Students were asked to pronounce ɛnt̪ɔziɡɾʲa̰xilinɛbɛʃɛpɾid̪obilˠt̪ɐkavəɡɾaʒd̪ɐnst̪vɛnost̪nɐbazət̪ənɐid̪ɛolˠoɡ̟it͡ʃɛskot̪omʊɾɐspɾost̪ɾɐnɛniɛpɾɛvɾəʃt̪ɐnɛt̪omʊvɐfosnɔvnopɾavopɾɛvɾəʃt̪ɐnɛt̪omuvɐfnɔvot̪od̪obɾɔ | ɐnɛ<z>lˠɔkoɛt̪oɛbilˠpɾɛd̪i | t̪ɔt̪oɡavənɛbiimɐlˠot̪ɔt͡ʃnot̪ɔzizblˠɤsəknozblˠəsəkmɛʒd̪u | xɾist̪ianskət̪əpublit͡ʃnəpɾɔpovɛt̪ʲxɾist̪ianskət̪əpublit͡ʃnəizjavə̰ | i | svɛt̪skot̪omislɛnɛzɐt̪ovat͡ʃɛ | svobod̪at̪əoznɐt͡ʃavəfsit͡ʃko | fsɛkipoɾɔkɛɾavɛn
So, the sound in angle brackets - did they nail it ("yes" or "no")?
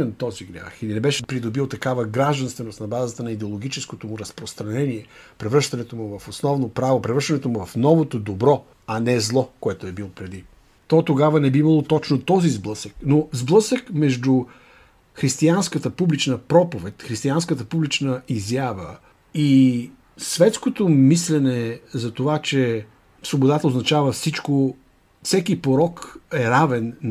yes